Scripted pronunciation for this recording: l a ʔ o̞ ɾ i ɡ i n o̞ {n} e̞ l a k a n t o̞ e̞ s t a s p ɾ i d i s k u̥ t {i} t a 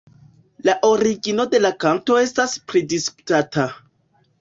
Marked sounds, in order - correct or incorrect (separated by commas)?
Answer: incorrect, incorrect